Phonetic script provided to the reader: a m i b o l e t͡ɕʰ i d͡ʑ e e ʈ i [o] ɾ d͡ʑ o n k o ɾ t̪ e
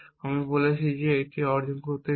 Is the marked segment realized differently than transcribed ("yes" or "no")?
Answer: yes